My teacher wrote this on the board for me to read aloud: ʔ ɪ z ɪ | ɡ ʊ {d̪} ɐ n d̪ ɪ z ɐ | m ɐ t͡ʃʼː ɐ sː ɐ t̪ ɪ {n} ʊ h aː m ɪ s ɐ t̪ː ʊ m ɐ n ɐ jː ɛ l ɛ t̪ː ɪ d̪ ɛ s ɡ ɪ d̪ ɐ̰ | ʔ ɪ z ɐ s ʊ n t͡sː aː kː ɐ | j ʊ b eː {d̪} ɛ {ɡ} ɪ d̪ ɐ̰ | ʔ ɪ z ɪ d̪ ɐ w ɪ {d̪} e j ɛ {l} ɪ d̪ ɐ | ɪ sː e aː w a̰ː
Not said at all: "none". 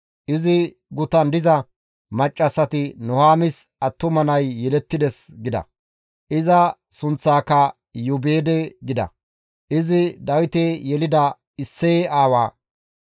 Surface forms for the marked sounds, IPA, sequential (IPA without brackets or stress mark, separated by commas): t̪, n, d̪, ɡ, t̪, l